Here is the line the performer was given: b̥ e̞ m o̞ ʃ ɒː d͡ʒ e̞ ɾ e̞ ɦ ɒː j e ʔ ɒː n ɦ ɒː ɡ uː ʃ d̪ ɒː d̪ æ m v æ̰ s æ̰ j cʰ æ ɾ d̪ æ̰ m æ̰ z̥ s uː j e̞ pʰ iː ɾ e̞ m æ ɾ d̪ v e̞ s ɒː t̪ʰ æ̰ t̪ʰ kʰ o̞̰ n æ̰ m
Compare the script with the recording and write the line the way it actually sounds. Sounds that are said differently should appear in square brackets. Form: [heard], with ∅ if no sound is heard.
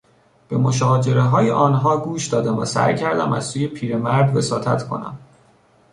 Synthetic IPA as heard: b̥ e̞ m o̞ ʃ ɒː d͡ʒ e̞ ɾ e̞ ɦ ɒː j e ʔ ɒː n ɦ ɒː ɡ uː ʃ d̪ ɒː d̪ æ m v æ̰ s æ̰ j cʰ æ ɾ d̪ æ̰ m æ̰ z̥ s uː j e̞ pʰ iː ɾ e̞ m æ ɾ d̪ v e̞ s ɒː t̪ʰ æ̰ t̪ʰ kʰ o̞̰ n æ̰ m